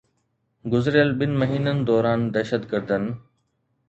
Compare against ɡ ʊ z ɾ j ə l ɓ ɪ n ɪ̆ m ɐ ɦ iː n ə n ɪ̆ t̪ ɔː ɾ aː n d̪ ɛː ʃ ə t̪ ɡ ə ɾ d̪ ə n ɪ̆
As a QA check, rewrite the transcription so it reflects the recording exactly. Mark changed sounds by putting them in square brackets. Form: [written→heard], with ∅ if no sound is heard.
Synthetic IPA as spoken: ɡ ʊ z ɾ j ə l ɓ ɪ n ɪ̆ m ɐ ɦ iː n ə n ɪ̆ [t̪→d̪] ɔː ɾ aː n d̪ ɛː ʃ ə t̪ ɡ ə ɾ d̪ ə n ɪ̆